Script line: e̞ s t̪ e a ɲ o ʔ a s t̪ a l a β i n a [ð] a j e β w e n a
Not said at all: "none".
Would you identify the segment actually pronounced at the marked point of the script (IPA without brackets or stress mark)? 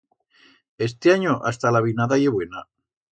ð